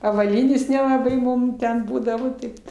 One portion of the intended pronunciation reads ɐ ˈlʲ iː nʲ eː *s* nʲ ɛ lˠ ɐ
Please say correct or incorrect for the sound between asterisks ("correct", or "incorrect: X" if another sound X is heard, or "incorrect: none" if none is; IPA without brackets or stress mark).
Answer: correct